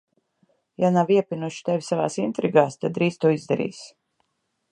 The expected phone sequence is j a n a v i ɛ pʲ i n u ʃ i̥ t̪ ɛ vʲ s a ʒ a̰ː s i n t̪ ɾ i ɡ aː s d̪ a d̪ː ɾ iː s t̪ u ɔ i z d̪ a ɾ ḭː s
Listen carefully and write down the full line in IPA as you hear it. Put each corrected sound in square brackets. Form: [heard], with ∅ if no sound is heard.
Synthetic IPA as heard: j a n a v i ɛ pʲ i n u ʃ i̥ t̪ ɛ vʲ s a [v] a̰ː s i n t̪ ɾ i ɡ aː s [t̪] a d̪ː ɾ iː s t̪ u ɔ i z d̪ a ɾ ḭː s